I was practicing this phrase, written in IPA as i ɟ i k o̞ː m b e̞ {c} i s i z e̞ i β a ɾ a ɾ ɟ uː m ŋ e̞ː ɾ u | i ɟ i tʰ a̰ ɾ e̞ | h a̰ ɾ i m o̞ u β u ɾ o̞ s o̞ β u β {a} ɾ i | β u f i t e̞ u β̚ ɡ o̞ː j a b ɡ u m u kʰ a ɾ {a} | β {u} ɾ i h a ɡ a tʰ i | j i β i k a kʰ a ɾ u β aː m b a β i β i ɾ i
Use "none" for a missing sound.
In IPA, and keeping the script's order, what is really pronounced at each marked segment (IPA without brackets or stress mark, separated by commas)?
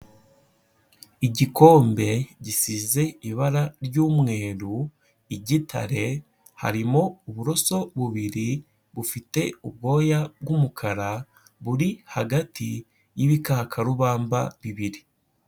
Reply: ɟ, i, a, u